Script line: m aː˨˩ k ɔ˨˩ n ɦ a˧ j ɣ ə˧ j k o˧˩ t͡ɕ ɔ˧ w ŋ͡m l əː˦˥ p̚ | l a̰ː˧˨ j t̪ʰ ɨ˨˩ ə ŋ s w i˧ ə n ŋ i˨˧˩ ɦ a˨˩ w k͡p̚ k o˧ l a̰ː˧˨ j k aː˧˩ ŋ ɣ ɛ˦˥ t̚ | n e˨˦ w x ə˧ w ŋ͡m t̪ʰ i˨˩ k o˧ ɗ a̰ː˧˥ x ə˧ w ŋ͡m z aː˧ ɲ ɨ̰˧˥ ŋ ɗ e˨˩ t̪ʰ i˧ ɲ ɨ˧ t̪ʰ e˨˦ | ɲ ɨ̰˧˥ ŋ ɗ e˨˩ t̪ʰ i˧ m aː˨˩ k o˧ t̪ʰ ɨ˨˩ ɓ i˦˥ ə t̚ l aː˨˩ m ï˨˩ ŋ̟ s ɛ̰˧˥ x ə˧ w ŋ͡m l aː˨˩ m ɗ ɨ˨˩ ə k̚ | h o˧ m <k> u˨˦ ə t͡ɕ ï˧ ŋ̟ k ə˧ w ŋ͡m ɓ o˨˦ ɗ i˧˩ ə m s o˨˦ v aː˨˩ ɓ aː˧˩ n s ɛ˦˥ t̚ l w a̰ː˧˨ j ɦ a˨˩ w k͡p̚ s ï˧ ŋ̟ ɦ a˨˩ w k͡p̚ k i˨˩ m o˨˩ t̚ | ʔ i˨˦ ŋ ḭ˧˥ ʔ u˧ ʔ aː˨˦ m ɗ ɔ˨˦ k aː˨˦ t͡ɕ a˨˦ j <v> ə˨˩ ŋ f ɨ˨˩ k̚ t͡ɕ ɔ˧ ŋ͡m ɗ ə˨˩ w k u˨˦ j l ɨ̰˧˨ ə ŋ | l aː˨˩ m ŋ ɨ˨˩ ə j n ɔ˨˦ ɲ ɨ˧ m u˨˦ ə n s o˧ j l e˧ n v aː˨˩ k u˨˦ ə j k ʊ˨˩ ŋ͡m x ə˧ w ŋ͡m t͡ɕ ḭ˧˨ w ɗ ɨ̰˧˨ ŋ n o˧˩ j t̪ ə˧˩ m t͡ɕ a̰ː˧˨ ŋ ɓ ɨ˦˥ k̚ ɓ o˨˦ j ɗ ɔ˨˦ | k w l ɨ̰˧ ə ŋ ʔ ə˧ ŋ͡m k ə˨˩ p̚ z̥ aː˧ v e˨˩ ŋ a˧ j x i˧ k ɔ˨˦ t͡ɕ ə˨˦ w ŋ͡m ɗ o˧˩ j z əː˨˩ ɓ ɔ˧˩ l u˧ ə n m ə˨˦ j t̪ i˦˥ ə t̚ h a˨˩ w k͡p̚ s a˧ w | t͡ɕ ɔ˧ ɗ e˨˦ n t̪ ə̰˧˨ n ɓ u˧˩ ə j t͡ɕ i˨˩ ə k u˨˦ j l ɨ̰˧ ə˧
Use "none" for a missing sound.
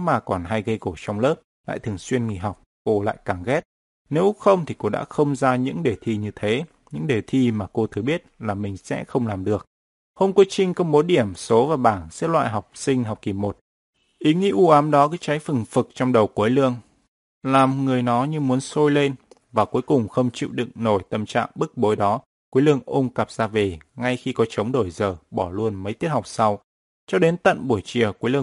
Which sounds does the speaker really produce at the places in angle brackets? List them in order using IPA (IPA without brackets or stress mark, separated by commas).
k, f